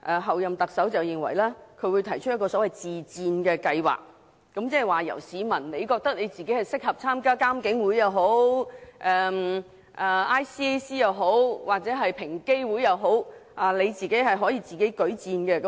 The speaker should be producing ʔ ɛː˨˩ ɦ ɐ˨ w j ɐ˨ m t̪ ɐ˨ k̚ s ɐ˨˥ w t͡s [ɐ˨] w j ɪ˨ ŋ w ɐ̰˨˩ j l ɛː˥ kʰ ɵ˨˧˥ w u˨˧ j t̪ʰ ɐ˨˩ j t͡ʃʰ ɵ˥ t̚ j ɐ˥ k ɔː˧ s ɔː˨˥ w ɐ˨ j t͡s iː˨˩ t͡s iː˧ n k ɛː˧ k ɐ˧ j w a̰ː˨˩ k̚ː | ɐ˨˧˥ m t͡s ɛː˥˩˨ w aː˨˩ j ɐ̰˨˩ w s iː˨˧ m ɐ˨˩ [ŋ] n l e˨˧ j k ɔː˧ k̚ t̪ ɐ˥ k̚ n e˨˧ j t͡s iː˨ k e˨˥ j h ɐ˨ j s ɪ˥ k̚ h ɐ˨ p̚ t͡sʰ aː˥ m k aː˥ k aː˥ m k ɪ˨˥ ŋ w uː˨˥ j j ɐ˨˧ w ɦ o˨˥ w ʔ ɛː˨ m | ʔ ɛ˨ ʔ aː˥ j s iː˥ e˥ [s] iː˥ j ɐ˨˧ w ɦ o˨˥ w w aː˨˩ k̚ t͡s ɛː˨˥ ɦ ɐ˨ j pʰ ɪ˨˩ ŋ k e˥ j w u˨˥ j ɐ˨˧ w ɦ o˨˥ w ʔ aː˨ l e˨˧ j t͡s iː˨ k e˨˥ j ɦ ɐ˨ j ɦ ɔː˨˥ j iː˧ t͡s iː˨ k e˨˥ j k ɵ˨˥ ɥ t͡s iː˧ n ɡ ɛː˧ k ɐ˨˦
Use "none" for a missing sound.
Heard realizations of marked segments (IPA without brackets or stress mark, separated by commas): ɐ˨, n, s